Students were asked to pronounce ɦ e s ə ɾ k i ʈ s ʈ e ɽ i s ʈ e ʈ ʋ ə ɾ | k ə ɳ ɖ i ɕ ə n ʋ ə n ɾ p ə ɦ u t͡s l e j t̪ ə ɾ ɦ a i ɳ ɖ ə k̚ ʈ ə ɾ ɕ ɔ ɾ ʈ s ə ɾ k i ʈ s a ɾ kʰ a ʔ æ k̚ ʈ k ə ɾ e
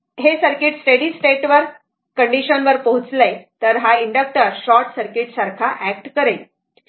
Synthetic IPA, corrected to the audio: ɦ e s ə ɾ k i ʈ s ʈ e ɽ i s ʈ e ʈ ʋ ə ɾ | k ə ɳ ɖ i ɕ ə n ʋ ə ɾ p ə ɦ u t͡s l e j t̪ ə ɾ ɦ a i ɳ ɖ ə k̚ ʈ ə ɾ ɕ ɔ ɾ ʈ s ə ɾ k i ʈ s a ɾ kʰ a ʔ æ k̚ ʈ k ə ɾ e